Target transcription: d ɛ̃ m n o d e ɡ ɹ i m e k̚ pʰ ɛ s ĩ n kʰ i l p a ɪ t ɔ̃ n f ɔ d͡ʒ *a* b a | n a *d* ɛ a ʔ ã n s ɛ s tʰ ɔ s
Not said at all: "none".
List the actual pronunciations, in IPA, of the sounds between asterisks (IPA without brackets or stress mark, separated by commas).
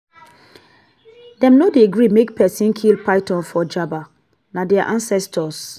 a, d